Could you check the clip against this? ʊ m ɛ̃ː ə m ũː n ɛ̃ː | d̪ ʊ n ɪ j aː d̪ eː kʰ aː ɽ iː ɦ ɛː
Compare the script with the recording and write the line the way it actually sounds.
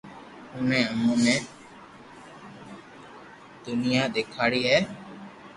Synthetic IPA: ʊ n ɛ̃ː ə m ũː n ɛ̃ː | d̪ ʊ n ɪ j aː d̪ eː kʰ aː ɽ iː ɦ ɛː